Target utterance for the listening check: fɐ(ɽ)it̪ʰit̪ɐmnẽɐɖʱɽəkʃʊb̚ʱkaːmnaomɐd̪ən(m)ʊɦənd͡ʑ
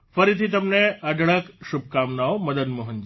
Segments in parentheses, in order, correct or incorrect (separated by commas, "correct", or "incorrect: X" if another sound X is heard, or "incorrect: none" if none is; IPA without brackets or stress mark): incorrect: ɾ, correct